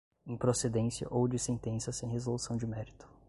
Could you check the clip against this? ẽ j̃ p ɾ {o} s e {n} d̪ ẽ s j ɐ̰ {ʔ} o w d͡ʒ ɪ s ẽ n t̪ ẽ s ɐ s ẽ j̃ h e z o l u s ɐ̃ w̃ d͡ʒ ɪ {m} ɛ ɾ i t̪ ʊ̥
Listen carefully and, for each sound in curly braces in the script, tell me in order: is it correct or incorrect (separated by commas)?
correct, incorrect, correct, correct